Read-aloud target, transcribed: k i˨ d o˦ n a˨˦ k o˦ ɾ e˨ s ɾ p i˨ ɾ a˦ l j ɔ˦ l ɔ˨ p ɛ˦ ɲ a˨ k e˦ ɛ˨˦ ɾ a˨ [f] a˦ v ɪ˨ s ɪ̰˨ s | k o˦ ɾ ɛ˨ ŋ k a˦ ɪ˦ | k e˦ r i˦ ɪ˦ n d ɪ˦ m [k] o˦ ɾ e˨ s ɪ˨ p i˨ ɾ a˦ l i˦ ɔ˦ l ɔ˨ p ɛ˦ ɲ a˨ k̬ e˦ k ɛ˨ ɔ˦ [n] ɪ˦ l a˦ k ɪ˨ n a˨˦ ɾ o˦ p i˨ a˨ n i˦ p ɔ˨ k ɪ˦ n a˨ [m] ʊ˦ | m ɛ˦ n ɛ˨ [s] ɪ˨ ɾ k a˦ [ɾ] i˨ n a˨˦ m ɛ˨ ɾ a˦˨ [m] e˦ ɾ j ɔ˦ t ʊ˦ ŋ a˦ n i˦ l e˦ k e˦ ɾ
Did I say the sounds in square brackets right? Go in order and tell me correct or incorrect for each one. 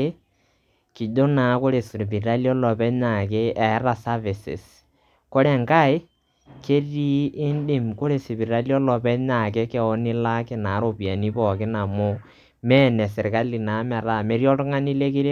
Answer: incorrect: s, correct, correct, correct, correct, incorrect: l, correct

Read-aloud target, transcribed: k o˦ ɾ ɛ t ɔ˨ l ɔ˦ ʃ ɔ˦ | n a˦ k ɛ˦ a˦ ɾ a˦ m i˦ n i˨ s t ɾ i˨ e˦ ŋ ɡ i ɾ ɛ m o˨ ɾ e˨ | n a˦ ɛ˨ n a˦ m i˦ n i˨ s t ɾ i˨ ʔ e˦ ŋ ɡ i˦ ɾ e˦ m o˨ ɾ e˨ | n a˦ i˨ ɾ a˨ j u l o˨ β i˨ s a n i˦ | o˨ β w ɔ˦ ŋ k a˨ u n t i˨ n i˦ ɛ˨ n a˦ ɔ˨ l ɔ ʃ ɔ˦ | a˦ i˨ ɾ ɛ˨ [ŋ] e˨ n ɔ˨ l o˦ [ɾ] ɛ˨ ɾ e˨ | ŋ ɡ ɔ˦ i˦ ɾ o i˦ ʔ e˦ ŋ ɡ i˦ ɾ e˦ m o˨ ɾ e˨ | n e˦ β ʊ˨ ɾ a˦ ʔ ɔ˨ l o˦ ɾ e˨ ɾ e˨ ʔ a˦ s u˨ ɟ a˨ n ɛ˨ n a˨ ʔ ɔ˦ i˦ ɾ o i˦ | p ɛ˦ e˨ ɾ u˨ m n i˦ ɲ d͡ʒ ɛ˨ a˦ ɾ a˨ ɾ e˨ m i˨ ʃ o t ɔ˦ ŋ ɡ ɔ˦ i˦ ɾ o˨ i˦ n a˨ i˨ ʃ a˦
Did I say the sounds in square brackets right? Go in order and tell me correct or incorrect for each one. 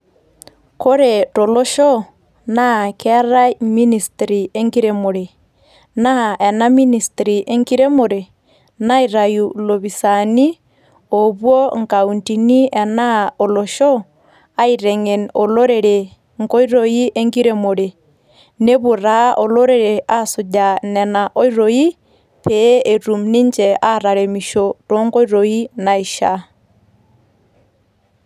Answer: correct, correct

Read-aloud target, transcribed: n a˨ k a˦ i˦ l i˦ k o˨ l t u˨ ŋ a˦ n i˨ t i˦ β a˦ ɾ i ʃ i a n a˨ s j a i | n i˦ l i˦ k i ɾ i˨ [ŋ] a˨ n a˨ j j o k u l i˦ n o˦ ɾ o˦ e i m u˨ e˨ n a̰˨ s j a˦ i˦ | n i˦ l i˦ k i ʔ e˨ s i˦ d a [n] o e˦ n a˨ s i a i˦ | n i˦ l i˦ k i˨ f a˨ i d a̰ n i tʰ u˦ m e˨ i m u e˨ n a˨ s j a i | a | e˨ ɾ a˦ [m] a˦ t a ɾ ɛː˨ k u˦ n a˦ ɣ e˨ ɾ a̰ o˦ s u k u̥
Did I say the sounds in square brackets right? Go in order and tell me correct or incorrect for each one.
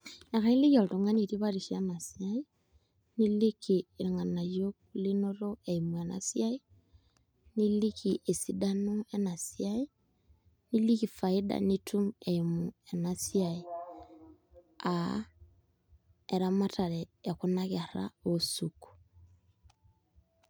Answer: correct, correct, correct

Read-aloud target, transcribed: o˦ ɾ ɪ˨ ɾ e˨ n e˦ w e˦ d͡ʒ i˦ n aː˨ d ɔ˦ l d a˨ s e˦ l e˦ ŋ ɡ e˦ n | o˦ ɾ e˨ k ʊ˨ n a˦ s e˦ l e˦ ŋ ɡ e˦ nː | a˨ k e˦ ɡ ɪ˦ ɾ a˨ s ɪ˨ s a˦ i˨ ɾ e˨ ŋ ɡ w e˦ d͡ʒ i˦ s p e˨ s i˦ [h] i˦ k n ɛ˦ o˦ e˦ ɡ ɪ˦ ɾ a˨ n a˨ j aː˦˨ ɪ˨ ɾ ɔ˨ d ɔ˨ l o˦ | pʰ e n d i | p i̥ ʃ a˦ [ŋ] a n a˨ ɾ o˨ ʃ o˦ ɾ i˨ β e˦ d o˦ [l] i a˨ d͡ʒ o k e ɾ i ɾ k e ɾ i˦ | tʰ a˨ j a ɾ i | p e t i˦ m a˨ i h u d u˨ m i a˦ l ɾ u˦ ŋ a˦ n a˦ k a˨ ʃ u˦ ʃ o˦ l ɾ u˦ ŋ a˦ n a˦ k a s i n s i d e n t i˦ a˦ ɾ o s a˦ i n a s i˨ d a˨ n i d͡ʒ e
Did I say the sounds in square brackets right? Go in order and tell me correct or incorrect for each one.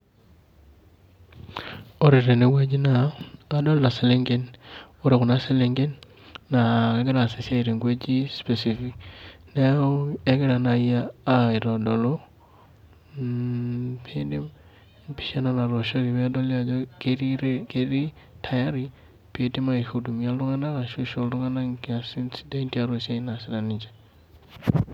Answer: incorrect: f, incorrect: n, correct

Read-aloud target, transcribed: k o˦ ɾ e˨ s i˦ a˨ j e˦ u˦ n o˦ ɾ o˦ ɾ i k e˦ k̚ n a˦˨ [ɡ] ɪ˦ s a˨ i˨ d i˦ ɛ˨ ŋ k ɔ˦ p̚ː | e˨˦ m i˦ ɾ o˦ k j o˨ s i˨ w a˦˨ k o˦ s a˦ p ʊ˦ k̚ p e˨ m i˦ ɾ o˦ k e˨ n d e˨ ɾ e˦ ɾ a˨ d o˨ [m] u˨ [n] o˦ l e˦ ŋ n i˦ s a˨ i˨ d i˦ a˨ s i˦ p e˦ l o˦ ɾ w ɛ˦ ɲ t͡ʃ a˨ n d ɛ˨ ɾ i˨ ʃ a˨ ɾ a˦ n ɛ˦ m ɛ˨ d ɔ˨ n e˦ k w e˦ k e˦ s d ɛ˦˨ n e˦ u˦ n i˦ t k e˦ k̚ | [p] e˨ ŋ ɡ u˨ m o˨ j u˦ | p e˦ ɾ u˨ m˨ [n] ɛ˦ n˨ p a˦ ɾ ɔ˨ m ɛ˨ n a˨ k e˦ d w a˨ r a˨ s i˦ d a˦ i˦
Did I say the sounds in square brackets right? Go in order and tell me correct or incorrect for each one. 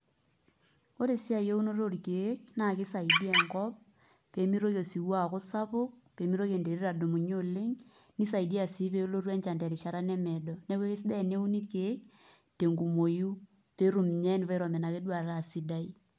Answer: incorrect: k, correct, incorrect: ɲ, incorrect: t, incorrect: ɲ

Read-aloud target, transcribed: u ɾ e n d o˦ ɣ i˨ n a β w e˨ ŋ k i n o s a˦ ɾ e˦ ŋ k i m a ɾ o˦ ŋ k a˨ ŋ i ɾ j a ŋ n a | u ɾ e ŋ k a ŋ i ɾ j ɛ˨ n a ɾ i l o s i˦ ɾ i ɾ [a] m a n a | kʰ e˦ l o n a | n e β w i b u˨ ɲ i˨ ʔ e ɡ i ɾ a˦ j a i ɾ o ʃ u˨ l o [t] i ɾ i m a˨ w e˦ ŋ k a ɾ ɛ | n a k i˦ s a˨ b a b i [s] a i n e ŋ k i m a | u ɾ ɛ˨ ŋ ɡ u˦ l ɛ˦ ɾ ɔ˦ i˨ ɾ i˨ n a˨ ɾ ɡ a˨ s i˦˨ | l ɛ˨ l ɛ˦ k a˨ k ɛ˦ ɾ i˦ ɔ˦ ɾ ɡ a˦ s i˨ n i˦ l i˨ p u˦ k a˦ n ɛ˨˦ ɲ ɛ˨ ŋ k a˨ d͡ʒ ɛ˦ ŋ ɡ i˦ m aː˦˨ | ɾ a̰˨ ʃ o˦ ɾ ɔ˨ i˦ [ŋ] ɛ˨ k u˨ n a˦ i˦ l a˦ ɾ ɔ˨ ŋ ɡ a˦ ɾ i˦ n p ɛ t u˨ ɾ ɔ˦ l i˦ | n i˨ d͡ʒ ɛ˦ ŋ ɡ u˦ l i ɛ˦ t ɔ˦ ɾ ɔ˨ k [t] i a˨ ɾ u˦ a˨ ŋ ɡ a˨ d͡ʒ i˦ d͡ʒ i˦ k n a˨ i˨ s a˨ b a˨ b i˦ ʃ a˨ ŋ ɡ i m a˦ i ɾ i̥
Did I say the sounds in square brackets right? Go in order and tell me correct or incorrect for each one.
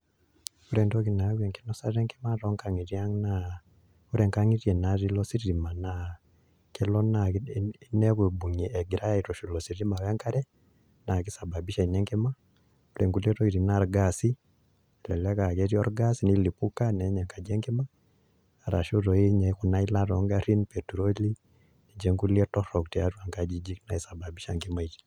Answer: incorrect: i, incorrect: s, incorrect: ʃ, incorrect: ɲ, correct

